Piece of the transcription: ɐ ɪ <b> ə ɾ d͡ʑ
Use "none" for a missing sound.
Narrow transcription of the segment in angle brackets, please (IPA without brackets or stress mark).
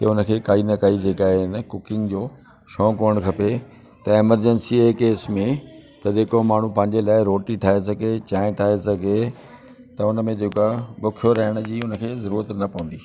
m